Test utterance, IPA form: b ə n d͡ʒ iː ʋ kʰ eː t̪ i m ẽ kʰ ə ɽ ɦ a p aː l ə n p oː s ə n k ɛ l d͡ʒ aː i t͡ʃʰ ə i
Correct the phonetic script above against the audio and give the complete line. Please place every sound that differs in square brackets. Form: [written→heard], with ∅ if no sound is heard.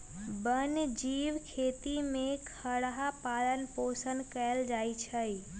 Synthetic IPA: b ə n d͡ʒ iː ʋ kʰ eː t̪ i m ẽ kʰ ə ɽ ɦ a p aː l ə n p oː s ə n k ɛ l d͡ʒ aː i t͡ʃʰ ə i